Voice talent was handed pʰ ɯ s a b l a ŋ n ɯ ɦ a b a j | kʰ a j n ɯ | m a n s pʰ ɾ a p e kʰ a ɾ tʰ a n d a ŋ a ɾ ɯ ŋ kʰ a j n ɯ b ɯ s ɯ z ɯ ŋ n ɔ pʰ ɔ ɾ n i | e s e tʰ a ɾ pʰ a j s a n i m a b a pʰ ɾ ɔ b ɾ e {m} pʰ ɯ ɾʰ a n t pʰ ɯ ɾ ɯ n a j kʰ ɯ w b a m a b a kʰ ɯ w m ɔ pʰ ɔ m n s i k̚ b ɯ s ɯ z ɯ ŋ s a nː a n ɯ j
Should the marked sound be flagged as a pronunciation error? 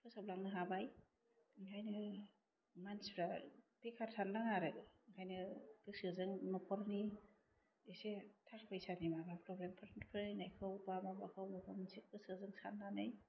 no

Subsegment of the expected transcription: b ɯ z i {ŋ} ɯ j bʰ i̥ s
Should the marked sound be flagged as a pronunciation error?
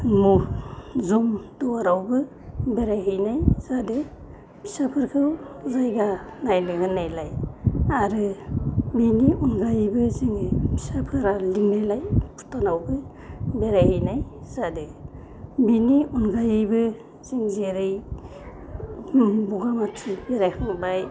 no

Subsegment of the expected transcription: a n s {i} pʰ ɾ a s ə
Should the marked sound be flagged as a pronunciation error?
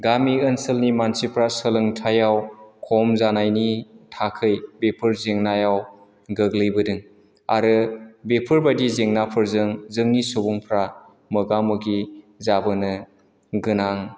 no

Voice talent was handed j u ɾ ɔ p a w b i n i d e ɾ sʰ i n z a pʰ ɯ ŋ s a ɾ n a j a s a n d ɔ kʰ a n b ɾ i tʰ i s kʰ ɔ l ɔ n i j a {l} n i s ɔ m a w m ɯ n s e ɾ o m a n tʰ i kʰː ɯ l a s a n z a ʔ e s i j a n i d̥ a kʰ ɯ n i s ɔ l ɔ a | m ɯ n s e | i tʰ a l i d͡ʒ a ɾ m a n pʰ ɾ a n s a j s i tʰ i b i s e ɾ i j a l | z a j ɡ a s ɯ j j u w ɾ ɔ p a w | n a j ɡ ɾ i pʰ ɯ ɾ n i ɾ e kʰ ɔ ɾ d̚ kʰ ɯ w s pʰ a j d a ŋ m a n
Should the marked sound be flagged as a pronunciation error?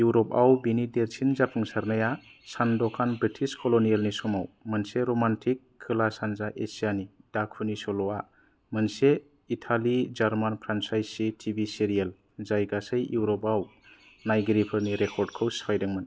no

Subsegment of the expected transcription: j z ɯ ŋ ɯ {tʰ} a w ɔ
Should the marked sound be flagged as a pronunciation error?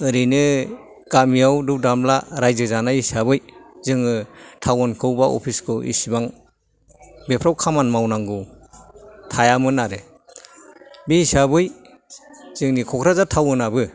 no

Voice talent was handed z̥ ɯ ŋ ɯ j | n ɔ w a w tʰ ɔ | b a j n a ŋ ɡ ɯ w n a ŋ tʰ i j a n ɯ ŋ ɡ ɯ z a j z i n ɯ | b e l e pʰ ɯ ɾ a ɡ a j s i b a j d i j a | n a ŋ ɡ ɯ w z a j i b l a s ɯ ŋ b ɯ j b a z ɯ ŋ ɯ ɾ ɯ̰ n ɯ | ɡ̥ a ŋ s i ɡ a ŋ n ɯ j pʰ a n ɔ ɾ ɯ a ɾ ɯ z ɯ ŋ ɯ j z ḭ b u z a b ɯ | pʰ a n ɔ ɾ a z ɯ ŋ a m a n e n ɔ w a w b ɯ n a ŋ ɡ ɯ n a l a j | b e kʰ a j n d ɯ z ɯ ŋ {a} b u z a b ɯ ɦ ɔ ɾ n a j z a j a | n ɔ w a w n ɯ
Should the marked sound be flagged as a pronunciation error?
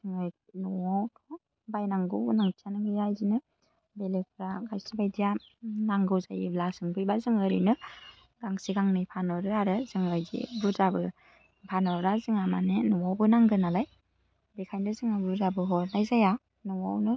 no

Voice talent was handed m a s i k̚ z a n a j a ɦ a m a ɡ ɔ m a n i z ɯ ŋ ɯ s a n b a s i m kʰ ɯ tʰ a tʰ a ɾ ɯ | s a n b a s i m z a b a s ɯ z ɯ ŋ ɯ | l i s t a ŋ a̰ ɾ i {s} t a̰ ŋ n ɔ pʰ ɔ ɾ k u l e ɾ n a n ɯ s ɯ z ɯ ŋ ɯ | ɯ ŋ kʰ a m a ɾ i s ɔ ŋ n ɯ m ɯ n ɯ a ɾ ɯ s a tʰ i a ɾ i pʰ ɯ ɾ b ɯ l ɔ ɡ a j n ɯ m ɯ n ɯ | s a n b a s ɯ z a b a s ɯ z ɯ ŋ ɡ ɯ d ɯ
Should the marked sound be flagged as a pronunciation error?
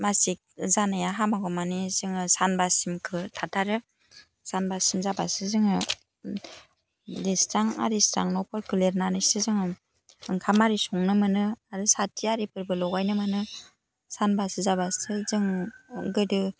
no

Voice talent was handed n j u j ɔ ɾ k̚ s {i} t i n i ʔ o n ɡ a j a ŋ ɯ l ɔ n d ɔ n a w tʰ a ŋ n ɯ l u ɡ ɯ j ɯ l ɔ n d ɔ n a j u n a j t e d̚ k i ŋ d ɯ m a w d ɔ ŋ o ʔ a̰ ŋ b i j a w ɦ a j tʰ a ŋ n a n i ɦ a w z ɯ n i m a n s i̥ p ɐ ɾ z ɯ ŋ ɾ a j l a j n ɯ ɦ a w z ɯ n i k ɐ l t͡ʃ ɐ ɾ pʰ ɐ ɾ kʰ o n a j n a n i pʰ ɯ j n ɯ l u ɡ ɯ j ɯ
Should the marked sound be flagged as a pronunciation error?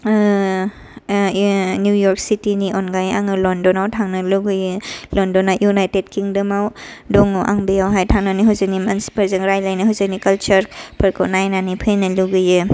no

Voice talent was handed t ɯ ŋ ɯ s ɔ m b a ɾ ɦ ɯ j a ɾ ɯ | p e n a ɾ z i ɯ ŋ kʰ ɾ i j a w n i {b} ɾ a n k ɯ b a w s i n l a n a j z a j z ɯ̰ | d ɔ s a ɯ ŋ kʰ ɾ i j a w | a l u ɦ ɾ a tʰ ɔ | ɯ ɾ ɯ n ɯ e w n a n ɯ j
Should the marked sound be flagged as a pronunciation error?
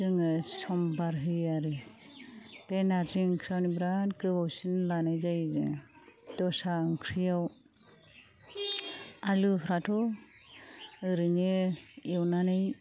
no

